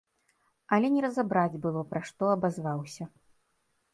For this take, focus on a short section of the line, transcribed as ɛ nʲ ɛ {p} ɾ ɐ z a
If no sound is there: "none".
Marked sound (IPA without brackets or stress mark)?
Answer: none